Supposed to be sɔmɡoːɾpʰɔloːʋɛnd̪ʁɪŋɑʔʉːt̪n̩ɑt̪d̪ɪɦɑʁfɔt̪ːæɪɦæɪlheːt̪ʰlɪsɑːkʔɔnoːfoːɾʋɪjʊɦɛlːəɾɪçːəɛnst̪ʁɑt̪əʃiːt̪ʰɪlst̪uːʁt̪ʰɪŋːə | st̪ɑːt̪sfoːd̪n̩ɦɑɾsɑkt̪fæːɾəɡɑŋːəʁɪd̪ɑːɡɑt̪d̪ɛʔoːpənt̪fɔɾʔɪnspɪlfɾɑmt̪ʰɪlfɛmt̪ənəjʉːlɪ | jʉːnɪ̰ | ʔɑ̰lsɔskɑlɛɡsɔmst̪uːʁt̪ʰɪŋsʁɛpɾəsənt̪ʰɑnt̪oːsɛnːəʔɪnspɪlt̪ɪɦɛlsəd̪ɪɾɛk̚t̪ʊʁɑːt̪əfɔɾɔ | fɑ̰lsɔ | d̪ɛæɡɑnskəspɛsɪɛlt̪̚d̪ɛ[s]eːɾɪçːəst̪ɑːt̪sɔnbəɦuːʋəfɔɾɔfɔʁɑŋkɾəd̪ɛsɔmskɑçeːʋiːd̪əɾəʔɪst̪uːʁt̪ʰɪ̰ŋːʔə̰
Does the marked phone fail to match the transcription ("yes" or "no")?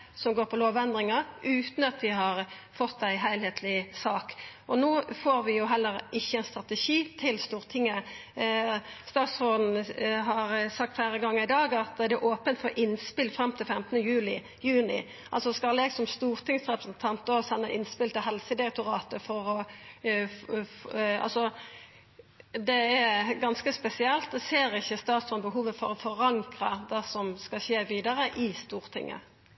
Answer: no